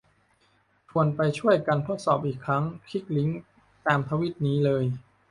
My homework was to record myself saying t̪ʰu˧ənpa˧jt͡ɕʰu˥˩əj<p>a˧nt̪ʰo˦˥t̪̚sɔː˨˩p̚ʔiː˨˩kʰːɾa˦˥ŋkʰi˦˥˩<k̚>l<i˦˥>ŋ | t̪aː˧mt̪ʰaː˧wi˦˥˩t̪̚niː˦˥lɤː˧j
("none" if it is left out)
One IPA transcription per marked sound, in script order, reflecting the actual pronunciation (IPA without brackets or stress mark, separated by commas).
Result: k, k̚, i˦˥